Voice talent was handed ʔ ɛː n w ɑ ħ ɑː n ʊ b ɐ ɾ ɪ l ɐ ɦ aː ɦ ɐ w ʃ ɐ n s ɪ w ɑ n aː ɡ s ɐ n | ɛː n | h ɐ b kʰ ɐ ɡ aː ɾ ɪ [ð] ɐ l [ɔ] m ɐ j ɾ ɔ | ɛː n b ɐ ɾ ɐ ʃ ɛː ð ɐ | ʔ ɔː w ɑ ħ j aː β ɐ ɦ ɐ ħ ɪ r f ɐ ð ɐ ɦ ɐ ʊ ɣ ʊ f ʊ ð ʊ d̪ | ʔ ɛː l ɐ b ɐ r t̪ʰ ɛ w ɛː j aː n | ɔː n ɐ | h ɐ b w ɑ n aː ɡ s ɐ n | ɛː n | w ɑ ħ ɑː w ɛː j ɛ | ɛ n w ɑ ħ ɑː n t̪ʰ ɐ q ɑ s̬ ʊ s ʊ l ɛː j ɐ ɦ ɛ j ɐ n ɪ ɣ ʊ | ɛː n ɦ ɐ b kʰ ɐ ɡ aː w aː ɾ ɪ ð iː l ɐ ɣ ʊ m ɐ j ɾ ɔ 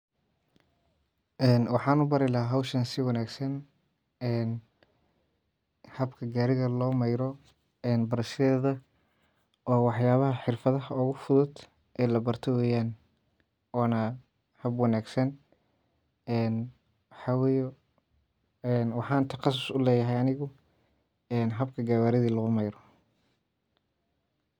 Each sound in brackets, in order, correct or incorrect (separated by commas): incorrect, incorrect